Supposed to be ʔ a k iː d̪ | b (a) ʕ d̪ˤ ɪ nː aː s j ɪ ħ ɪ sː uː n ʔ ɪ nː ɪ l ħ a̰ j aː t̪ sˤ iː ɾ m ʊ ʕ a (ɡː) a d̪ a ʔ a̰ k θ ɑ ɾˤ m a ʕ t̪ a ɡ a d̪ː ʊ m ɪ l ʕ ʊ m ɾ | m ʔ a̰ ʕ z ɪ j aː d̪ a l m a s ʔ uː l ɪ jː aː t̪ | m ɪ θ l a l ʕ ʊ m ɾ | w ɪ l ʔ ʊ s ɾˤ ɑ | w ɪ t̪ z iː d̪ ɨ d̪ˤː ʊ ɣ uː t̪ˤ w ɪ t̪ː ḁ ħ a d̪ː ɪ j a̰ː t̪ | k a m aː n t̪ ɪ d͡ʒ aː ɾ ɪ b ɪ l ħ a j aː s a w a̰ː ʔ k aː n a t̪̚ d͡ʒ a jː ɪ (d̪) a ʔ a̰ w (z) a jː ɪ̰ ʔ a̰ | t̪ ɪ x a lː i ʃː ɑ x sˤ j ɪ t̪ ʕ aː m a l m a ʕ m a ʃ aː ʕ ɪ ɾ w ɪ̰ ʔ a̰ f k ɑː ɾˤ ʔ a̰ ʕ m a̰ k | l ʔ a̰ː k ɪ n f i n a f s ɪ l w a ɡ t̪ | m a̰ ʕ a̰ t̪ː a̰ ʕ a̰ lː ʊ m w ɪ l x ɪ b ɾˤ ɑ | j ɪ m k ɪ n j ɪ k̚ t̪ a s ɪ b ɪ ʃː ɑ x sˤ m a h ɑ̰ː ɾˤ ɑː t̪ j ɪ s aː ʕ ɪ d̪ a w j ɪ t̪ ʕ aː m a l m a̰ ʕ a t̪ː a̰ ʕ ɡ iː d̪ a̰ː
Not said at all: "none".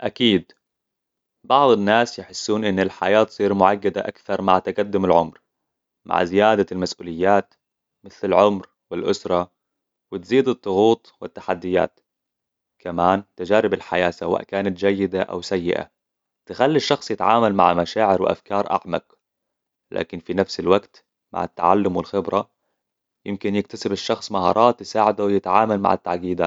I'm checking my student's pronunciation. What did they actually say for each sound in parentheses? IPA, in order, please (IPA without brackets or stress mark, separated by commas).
ɑ, ɡː, d̪, s